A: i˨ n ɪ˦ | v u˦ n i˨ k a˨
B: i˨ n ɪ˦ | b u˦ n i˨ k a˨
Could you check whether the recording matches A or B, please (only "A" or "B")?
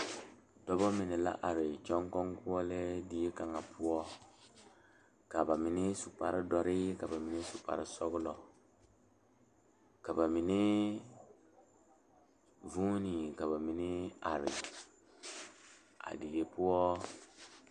A